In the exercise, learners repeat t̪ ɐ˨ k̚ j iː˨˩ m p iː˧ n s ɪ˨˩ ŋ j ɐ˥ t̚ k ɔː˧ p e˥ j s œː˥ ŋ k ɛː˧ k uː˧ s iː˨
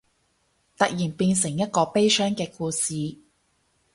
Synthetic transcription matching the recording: t̪ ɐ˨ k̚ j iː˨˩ n p iː˧ n s ɪ˨˩ ŋ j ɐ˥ t̚ k ɔː˧ p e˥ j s œː˥ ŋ k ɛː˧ k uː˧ s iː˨

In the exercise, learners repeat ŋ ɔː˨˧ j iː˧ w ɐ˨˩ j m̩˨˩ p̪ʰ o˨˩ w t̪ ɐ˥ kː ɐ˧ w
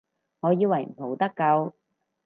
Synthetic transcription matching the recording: ŋ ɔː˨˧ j iː˧ w ɐ˨˩ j m̩˨˩ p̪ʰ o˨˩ w t̪ ɐ˥ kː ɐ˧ w

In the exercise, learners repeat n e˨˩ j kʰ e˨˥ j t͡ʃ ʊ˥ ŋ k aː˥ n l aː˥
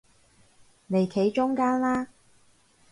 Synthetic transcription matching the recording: n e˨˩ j kʰ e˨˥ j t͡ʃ ʊ˥ ŋ k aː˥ n l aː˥

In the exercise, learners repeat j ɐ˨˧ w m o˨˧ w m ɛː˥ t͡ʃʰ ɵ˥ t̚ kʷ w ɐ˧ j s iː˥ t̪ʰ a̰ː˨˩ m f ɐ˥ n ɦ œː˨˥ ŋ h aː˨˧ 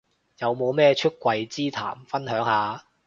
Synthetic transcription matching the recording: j ɐ˨˧ w m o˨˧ w m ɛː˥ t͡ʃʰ ɵ˥ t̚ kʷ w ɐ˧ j t͡s iː˥ t̪ʰ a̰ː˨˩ m f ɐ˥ n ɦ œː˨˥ ŋ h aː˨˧

